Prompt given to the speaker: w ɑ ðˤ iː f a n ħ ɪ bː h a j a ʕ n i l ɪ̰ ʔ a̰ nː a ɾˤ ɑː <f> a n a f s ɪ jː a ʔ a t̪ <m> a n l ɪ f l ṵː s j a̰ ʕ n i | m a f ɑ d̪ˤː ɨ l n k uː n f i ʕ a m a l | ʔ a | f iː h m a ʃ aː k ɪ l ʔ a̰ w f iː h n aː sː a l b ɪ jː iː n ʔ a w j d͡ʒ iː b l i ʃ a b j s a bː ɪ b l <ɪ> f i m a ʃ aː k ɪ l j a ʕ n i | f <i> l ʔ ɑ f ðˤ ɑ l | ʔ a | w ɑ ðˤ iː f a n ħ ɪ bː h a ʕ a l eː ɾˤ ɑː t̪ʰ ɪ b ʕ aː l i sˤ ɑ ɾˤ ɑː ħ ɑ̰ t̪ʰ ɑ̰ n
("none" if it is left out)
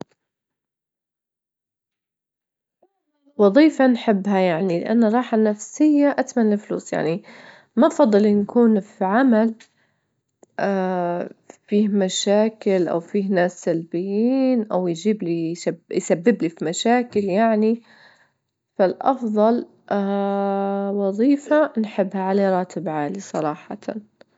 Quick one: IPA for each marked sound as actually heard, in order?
ħ, m, i, a

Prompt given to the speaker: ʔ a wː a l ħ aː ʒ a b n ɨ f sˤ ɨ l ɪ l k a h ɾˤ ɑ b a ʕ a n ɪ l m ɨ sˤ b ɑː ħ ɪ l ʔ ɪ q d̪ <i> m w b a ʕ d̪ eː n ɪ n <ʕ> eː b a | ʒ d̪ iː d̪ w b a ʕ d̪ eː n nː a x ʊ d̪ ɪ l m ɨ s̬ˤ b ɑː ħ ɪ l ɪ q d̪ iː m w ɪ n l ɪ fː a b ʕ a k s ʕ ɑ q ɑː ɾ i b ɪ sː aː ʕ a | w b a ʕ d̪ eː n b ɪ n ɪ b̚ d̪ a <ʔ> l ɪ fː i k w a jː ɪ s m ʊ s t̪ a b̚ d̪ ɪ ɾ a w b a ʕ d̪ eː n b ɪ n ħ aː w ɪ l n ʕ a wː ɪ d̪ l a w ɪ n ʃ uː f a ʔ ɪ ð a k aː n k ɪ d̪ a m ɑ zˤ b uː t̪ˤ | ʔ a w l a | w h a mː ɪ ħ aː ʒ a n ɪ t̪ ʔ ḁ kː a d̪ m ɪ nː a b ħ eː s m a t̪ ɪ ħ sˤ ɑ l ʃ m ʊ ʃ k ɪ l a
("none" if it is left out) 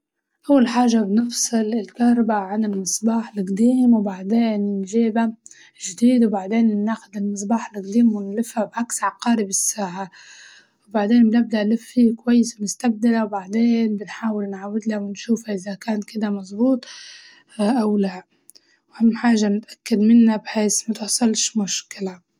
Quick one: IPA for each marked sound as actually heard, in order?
iː, ʒ, ʔ

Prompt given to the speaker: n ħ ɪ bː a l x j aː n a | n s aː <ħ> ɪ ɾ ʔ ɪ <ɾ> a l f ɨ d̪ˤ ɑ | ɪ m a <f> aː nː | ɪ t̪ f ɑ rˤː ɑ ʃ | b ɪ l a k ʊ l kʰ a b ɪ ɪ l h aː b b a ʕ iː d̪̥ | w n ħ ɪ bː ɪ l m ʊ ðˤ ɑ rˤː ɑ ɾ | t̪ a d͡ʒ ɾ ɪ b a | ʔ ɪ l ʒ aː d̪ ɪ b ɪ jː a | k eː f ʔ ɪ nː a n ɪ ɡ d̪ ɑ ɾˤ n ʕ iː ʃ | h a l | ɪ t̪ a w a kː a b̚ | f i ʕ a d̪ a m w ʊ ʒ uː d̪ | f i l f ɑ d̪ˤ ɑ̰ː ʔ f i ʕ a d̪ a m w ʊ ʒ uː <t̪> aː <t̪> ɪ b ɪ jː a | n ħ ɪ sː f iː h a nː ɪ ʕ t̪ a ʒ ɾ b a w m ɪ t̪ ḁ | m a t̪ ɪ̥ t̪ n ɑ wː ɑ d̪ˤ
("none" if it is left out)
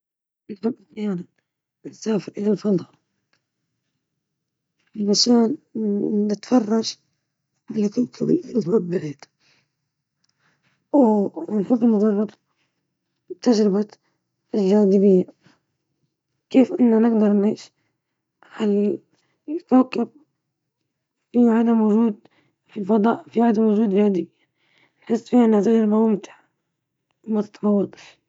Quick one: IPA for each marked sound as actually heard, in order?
f, l, ʃ, d̪, d̪

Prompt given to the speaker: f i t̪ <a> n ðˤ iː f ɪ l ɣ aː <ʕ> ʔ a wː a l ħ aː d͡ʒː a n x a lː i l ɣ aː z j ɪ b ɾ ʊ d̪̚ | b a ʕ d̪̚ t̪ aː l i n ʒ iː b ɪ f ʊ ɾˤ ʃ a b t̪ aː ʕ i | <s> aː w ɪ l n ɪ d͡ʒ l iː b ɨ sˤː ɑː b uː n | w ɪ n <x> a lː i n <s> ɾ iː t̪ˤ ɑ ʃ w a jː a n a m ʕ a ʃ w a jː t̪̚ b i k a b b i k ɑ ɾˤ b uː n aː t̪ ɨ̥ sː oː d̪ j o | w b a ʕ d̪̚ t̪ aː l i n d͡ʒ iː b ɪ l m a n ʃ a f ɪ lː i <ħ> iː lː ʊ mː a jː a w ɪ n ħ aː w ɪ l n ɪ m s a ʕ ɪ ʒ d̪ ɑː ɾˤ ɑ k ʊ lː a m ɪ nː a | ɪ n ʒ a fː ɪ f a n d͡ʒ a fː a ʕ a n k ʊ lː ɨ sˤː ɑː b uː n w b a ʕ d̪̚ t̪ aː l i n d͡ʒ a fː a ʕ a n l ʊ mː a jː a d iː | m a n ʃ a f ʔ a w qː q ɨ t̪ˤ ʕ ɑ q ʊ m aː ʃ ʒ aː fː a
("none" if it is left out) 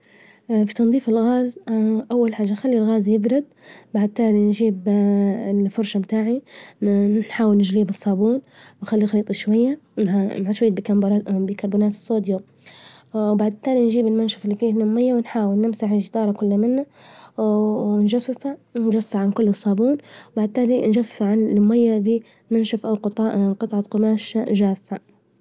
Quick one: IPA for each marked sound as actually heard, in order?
ɑ, z, ħ, x, x, f

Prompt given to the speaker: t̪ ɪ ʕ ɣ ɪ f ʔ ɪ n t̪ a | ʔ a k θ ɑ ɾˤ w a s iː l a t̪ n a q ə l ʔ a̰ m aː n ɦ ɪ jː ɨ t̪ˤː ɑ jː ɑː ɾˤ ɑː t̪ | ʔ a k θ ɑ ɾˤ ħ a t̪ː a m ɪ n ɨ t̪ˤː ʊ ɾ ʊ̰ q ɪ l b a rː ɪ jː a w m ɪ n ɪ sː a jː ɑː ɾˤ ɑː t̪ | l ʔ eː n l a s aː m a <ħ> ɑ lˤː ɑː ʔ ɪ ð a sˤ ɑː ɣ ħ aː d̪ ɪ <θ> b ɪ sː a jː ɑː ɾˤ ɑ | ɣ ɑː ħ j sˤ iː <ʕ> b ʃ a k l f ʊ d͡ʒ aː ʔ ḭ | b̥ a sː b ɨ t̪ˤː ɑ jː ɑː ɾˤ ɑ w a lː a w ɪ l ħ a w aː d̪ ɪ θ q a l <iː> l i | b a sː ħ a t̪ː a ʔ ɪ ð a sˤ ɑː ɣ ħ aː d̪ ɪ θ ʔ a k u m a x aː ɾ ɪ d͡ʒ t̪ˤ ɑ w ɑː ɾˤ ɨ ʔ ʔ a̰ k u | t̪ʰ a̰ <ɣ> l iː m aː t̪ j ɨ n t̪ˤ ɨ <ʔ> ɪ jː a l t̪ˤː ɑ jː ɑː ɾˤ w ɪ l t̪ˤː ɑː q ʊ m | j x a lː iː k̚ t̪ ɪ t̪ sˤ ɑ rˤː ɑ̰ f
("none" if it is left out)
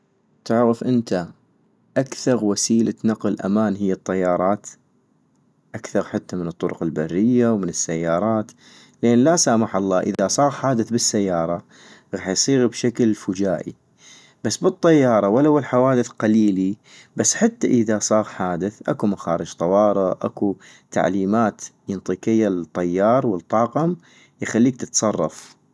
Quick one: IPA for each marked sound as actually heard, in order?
ħ, θ, ɣ, iː, ʕ, q

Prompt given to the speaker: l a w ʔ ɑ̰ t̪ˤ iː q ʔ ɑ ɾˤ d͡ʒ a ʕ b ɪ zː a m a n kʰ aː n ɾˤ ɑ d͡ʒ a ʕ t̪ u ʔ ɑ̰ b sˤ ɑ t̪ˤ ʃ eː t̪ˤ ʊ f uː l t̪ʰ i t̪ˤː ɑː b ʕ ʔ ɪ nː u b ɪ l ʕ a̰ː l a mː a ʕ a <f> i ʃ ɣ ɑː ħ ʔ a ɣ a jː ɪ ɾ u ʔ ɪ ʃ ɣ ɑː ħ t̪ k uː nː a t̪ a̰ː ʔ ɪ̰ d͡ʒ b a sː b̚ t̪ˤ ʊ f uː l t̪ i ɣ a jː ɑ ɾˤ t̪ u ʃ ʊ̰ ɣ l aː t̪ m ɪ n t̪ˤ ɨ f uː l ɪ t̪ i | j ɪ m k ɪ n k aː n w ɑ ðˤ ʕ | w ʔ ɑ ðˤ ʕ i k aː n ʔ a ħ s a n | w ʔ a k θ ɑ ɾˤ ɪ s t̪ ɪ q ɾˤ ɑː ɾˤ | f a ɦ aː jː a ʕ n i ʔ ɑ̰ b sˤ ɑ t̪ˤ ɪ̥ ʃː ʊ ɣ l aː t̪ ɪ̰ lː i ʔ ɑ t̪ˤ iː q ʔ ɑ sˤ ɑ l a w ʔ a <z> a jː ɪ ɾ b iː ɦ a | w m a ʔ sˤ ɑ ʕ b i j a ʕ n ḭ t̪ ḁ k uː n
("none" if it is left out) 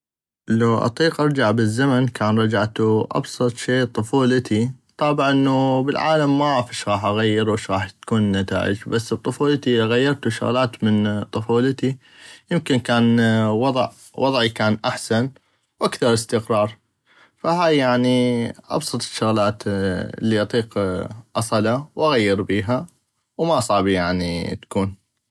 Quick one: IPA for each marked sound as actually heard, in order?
f, ɣ

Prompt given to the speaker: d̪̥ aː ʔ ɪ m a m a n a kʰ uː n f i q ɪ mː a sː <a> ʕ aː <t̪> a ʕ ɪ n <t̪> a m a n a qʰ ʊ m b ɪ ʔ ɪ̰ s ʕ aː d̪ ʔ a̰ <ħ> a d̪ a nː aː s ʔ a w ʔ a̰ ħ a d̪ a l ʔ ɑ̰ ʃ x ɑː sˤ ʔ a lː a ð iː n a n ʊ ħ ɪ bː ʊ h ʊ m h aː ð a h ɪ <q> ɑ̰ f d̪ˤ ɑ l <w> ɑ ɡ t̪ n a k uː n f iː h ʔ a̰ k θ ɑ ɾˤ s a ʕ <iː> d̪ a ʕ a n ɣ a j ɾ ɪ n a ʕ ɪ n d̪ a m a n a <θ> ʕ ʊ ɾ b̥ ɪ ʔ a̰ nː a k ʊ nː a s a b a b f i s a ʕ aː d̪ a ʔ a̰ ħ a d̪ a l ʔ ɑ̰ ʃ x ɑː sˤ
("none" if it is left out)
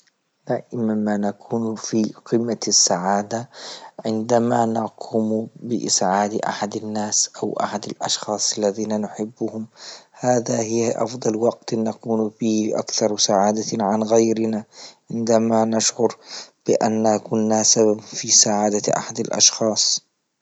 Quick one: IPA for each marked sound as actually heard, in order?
a, d̪, d̪, ħ, ʔ, w, aː, ʃ

